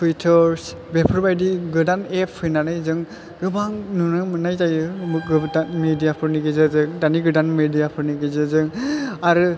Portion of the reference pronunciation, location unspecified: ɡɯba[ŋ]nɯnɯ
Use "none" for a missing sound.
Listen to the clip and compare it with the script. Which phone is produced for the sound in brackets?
ŋ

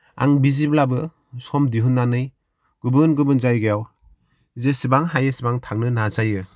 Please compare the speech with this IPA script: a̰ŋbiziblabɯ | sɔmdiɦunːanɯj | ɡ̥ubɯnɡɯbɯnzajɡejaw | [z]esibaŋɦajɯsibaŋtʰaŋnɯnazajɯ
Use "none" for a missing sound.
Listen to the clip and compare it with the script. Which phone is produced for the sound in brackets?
z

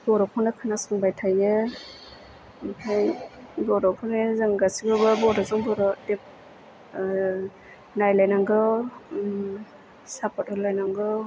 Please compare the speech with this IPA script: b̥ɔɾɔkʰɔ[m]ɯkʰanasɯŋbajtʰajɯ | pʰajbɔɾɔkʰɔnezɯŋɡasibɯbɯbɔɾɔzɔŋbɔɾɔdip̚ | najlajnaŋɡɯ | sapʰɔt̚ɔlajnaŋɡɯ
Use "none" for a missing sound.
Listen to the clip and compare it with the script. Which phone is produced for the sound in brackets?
n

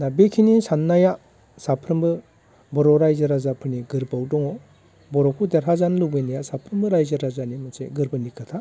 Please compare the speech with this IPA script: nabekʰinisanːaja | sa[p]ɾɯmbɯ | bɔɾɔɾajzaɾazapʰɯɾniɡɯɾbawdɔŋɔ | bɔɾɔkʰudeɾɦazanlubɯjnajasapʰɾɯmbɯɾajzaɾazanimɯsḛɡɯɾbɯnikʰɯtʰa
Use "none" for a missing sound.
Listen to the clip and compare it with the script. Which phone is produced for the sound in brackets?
pʰ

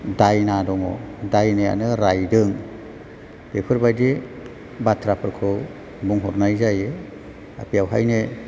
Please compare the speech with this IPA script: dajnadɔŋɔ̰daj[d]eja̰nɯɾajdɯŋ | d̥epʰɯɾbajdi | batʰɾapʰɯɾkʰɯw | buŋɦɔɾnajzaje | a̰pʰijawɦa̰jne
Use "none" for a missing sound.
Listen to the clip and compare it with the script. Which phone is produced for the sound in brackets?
n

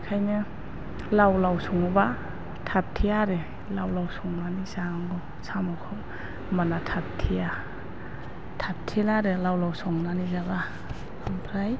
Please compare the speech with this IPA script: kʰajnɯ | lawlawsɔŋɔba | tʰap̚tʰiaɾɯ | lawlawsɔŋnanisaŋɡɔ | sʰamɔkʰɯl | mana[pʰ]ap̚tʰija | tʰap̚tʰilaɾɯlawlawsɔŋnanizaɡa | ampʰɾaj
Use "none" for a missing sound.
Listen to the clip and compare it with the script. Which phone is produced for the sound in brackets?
tʰ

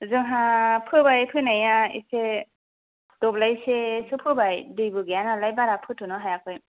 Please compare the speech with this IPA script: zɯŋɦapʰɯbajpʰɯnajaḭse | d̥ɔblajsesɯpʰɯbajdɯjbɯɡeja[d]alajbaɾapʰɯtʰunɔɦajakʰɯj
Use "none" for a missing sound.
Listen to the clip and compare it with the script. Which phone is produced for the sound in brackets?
n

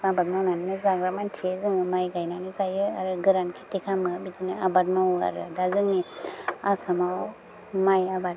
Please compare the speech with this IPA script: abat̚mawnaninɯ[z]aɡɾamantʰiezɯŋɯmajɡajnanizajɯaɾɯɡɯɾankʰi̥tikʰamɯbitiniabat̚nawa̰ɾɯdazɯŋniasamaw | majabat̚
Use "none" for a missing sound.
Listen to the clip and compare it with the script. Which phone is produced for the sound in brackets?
z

